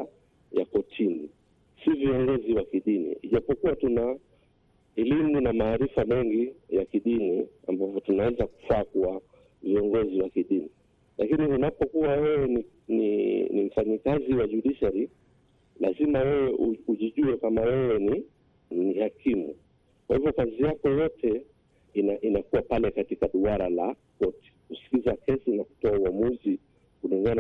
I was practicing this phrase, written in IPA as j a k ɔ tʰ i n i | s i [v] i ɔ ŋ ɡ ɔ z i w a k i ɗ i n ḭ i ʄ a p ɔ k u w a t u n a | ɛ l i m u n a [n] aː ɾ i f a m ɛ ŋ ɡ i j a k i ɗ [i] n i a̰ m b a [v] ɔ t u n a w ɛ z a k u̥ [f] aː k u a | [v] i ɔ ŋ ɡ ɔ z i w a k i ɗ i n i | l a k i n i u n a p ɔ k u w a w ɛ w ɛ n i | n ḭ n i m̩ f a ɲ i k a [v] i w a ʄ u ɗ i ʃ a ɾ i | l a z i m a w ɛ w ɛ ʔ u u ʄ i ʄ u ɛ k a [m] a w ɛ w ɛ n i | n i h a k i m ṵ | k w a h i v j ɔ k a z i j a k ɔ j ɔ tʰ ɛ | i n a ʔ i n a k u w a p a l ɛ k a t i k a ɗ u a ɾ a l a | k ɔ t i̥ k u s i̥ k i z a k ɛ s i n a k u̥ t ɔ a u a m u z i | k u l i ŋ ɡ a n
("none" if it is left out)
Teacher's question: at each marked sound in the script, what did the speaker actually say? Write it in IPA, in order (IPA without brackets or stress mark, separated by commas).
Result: v, m, i, v, f, v, z, m